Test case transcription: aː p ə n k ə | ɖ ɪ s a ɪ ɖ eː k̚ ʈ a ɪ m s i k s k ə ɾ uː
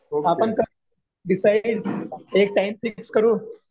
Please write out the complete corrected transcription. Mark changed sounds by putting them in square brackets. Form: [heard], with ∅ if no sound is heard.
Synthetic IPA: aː p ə n k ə | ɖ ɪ s a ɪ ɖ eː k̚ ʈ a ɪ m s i k s k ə ɾ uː